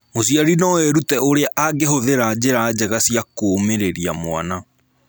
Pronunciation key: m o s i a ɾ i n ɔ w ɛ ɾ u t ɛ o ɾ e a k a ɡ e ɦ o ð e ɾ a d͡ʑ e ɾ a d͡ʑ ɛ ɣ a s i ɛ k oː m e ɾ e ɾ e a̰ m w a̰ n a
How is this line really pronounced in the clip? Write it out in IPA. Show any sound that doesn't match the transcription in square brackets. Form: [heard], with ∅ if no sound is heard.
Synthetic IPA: m o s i a ɾ i n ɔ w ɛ ɾ u t ɛ o ɾ e a [ʔ] a ɡ e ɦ o ð e ɾ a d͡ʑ e ɾ a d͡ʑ ɛ ɣ a s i [a] k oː m e ɾ e ɾ [i] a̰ m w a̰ n a